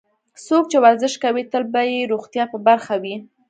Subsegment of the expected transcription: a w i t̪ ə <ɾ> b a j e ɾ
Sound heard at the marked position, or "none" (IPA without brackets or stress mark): l